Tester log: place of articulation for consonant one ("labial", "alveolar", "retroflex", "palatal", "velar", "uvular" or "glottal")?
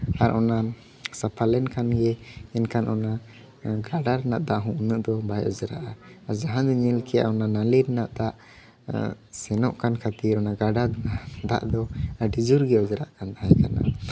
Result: alveolar